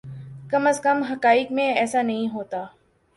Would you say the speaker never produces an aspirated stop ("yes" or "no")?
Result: yes